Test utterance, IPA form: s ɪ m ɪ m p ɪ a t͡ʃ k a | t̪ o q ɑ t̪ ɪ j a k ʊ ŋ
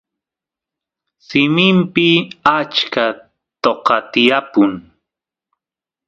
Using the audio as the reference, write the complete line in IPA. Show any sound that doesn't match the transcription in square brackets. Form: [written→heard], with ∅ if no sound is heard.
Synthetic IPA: s ɪ m ɪ m p ɪ a t͡ʃ k a | t̪ o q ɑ t̪ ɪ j a [k→p] ʊ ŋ